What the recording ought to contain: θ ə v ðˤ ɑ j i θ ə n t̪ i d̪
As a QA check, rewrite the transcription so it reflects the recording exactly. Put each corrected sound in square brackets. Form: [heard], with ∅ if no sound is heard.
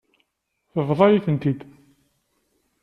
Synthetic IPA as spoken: θ ə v ðˤ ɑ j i θ ə n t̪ i d̪